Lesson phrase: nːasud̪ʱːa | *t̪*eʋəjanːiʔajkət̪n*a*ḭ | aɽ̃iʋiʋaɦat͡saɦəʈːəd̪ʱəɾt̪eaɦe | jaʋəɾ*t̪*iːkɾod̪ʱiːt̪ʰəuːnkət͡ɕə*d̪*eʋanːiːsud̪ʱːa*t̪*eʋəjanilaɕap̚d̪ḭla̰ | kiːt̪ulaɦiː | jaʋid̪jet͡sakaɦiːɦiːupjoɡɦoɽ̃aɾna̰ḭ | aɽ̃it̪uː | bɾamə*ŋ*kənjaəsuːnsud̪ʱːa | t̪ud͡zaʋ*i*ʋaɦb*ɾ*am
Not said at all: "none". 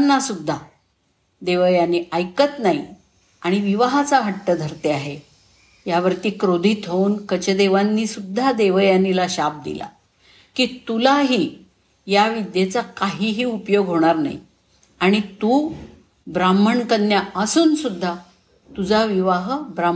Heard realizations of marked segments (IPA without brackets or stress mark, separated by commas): d̪, a, t̪, d̪, d̪, ɳ, i, ɾ